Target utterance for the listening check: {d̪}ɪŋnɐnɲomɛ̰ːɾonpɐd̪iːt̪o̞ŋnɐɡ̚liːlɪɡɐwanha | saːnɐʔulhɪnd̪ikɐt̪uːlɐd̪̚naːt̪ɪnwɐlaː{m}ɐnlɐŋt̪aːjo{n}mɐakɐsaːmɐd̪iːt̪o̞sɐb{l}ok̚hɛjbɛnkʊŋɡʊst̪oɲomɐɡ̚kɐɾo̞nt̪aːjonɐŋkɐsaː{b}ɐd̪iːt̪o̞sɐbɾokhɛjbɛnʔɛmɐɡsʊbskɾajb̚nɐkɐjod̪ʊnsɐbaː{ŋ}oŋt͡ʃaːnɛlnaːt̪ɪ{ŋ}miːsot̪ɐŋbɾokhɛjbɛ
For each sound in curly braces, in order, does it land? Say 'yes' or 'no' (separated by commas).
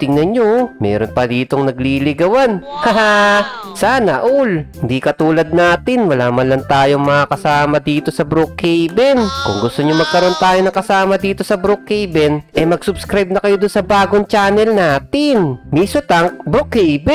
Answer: no, yes, no, no, no, no, no